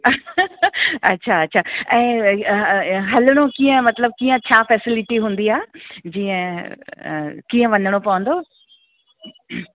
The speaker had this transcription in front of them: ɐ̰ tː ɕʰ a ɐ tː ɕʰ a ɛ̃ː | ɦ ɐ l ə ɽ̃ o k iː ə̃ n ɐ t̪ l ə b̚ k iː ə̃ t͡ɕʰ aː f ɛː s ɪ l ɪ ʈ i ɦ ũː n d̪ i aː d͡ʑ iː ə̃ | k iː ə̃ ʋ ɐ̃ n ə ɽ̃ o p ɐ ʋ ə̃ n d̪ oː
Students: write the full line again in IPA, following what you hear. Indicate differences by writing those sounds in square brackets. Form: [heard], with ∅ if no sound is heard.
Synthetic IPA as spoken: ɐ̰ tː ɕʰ a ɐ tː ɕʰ a ɛ̃ː | ɦ ɐ l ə ɽ̃ o k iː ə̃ [m] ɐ t̪ l ə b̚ k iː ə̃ t͡ɕʰ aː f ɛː s ɪ l ɪ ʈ i ɦ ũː n d̪ i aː d͡ʑ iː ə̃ | k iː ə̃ ʋ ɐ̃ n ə ɽ̃ o p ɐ ʋ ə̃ n d̪ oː